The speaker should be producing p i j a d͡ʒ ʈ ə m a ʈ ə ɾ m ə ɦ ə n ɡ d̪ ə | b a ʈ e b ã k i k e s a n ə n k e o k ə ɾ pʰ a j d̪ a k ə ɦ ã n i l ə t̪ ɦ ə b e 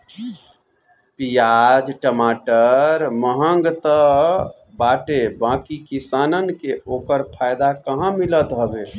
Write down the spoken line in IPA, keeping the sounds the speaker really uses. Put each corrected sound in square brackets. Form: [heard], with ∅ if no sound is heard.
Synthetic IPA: p i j a d͡ʒ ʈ ə m a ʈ ə ɾ m ə ɦ ə [ŋ] ɡ [t̪] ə | b a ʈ e b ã k i k [i] s a n ə n k e o k ə ɾ pʰ a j d̪ a k ə ɦ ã [m] i l ə t̪ ɦ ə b e